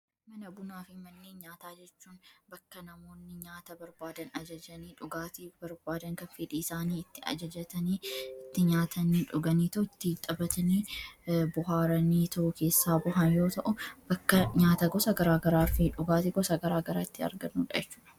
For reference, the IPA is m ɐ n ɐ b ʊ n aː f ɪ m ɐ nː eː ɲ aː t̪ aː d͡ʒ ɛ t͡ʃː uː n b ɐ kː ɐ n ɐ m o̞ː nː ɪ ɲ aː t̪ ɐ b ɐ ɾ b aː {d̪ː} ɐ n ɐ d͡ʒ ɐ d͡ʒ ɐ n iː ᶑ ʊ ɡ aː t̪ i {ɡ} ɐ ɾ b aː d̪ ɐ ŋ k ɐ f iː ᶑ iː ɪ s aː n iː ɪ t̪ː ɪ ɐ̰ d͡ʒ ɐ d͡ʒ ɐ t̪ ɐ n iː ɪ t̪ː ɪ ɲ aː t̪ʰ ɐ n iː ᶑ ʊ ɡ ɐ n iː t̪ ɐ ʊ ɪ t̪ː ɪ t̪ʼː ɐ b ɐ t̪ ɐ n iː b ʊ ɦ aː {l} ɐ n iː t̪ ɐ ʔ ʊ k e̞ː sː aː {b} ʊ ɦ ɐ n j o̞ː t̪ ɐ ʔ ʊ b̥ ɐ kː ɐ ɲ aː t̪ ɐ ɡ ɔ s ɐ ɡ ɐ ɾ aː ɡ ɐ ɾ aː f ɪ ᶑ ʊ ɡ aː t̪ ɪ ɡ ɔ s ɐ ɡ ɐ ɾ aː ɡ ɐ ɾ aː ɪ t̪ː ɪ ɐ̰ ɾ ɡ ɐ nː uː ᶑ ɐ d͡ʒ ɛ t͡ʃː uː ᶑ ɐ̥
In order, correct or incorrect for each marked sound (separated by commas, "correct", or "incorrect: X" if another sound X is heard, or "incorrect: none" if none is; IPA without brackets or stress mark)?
incorrect: d̪, incorrect: b, incorrect: ɾ, correct